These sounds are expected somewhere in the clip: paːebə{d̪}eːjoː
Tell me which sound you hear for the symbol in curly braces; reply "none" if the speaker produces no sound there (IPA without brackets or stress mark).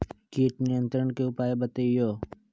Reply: t̪